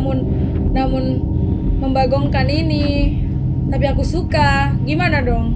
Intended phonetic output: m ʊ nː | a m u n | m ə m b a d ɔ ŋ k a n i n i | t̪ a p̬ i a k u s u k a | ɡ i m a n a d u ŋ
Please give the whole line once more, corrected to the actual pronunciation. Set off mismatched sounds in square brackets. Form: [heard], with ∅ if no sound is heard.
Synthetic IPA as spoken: m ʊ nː | a m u n | m ə m b a [ɡ] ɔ ŋ k a n i n i | t̪ a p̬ i a k u s u k a | ɡ i m a n a d [ɔ] ŋ